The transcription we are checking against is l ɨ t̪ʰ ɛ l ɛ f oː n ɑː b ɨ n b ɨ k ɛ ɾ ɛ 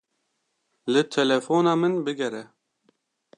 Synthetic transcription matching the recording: l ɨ t̪ʰ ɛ l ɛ f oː n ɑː m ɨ n b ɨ ɡ ɛ ɾ ɛ